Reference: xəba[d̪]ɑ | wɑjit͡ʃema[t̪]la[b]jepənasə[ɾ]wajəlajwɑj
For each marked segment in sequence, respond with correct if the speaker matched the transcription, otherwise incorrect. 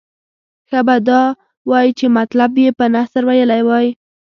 correct, correct, correct, correct

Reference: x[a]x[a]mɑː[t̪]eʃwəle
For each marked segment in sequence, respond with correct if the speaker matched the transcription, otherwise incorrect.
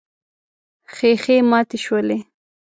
incorrect, incorrect, correct

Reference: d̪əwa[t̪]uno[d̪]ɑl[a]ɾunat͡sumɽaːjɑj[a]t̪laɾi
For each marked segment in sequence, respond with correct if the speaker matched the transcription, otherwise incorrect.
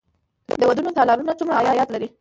incorrect, incorrect, incorrect, incorrect

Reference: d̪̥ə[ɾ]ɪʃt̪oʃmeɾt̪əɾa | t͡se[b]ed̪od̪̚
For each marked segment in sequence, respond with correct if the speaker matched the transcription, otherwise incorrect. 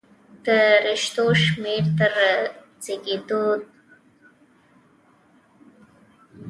correct, incorrect

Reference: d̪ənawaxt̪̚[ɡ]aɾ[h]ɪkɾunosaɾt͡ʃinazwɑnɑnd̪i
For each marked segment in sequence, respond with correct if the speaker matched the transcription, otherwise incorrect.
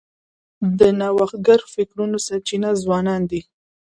correct, incorrect

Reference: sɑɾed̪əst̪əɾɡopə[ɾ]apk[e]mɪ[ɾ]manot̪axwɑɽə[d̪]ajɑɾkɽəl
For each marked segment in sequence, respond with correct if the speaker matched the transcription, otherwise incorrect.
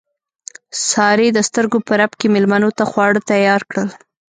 correct, correct, incorrect, incorrect

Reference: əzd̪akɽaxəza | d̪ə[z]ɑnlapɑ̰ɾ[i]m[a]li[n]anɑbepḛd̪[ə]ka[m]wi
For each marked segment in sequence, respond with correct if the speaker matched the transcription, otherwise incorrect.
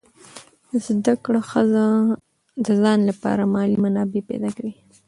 correct, incorrect, incorrect, incorrect, incorrect, incorrect

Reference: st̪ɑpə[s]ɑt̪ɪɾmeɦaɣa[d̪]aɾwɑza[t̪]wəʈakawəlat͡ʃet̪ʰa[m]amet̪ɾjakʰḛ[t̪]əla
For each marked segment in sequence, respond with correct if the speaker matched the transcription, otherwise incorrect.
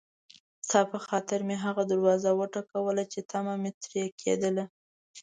incorrect, correct, incorrect, correct, incorrect

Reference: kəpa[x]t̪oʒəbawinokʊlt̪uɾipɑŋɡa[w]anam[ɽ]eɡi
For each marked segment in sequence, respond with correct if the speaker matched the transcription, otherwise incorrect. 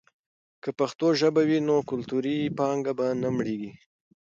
correct, incorrect, correct

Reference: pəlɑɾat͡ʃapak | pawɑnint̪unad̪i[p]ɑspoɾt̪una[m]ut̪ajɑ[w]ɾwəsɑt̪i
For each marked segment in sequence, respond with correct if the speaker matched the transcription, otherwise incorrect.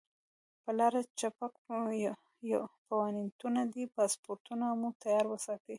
correct, correct, incorrect

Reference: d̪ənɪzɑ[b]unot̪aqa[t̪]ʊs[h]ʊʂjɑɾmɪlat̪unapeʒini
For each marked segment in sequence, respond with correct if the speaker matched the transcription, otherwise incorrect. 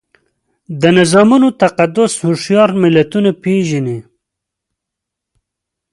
incorrect, incorrect, correct

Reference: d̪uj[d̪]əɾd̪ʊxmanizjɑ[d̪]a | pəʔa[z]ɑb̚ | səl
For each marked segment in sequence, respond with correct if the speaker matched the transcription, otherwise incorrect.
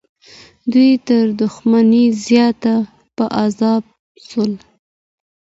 incorrect, incorrect, correct

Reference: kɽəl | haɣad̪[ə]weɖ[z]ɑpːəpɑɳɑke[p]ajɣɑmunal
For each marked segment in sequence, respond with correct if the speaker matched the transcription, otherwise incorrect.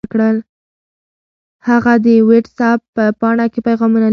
correct, incorrect, correct

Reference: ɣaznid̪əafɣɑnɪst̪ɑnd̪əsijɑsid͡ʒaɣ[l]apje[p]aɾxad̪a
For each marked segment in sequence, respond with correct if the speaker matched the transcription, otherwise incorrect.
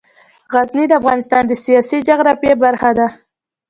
incorrect, incorrect

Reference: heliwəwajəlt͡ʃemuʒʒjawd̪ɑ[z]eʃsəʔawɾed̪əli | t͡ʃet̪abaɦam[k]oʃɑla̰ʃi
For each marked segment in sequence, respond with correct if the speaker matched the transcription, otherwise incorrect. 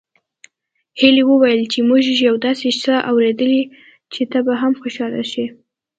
incorrect, incorrect

